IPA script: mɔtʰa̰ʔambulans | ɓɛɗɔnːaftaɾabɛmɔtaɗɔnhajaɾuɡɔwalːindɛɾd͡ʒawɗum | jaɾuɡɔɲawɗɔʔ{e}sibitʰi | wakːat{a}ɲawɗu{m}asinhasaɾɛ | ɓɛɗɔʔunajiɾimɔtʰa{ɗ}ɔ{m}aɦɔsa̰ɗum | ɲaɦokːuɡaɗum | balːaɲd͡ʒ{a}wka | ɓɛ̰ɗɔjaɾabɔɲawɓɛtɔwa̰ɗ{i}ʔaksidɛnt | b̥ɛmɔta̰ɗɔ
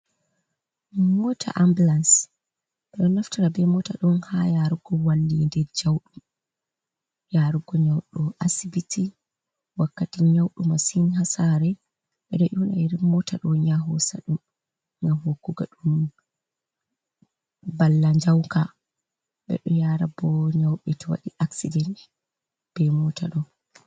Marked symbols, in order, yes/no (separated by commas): no, no, yes, yes, no, yes, yes